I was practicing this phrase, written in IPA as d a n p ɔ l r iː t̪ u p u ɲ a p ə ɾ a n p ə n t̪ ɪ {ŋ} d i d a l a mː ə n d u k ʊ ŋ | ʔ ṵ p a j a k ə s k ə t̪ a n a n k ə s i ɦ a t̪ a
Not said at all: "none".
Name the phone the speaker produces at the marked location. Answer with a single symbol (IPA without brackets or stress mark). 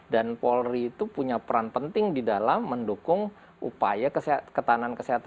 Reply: ŋ